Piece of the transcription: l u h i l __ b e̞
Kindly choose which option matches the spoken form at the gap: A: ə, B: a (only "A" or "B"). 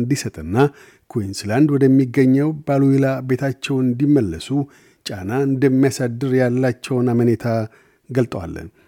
B